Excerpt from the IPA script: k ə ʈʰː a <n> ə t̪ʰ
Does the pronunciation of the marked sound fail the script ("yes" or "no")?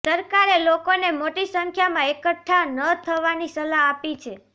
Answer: no